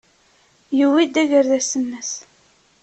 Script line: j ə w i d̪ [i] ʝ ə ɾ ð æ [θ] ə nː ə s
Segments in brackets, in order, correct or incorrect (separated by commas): incorrect, incorrect